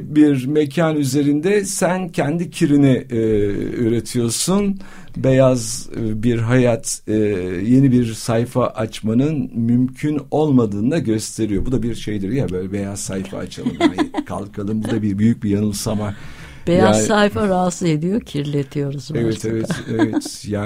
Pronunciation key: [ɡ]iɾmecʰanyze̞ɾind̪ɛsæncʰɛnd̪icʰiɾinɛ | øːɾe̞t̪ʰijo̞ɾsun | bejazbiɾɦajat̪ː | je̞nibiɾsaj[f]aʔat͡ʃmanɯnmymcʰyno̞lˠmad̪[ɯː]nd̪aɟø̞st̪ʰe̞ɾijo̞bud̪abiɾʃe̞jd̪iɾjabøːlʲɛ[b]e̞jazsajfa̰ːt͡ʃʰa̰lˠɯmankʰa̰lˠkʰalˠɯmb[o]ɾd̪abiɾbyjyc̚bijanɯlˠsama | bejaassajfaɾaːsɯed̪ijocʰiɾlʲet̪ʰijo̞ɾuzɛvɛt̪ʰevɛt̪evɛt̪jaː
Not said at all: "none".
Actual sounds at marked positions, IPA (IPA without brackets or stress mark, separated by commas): b, f, ɯː, b, u